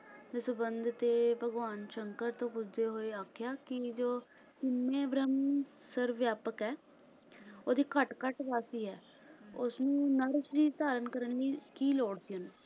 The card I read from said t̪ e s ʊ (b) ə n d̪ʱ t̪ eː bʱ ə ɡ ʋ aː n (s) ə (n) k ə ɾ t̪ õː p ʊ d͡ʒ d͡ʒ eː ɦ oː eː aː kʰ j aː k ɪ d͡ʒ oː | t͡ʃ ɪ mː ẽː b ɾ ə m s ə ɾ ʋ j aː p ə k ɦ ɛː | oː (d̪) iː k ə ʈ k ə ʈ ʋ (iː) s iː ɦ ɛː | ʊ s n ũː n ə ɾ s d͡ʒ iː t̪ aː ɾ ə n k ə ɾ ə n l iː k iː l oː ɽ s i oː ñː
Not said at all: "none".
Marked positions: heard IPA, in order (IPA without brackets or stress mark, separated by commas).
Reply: b, ʃ, ŋ, d̪, aː